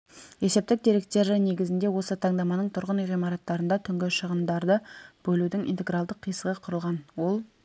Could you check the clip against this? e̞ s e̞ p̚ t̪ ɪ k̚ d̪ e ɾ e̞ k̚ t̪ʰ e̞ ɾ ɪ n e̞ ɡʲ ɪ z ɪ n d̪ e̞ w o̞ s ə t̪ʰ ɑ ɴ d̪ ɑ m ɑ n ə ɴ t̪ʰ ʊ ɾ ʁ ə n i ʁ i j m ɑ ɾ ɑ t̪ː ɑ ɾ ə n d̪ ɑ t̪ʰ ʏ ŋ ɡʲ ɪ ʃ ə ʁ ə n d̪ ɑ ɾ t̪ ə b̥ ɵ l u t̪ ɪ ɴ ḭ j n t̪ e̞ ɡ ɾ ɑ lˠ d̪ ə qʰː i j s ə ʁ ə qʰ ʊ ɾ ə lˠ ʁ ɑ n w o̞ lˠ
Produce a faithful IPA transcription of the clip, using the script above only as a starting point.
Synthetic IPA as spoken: e̞ s e̞ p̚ t̪ ɪ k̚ d̪ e ɾ e̞ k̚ t̪ e̞ ɾ ɪ n e̞ ɡʲ ɪ z ɪ n d̪ e̞ w o̞ s ə t̪ʰ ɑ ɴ d̪ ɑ m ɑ n ə ɴ t̪ʰ ʊ ɾ ʁ ə n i ʁ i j m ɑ ɾ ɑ t̪ː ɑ ɾ ə n d̪ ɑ t̪ʰ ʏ ŋ ɡʲ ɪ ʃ ə ʁ ə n d̪ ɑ ɾ d̪ ə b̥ ɵ l u d̪ ɪ ŋ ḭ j n t̪ e̞ ɡ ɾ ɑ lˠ d̪ ə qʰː i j s ə ʁ ə qʰ ʊ ɾ ə lˠ ʁ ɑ n w o̞ lˠ